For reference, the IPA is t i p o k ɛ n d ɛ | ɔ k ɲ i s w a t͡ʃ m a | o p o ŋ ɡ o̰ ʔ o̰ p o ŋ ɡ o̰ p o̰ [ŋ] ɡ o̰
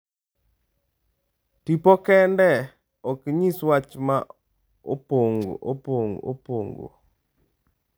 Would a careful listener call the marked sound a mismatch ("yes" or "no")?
no